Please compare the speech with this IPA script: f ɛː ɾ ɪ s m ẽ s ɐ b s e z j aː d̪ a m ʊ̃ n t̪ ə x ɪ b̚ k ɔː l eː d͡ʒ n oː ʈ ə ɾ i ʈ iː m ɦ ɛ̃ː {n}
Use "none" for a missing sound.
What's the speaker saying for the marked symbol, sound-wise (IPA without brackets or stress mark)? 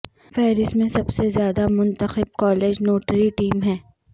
none